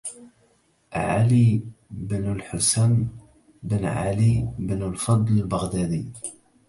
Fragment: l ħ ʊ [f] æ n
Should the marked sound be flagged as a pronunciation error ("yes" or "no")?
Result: yes